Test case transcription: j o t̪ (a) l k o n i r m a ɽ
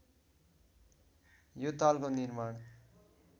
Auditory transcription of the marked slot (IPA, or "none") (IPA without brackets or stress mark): a